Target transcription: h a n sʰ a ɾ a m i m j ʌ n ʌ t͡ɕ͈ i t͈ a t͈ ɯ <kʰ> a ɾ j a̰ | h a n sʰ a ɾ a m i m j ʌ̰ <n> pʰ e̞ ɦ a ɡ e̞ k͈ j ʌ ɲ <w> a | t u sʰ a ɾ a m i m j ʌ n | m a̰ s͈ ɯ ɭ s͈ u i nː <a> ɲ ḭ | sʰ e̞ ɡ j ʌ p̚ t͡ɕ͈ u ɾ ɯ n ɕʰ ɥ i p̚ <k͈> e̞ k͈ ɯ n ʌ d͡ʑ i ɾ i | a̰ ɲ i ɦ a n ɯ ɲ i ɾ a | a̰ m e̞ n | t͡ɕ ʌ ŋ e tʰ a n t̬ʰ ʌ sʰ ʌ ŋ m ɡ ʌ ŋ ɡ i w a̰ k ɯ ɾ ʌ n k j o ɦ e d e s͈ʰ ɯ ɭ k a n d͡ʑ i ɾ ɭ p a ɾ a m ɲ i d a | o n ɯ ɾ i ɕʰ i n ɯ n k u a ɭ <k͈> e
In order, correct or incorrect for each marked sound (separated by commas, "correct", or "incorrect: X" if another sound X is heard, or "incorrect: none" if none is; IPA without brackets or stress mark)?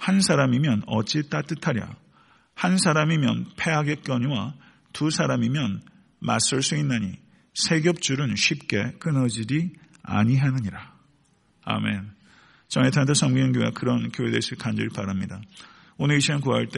incorrect: tʰ, correct, correct, correct, correct, incorrect: t͈